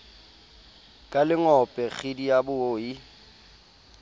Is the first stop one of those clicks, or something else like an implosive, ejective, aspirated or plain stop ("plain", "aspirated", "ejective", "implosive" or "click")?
ejective